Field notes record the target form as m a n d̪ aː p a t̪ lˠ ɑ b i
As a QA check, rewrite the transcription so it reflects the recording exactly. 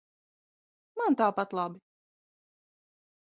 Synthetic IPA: m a n t̪ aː p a t̪ lˠ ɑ b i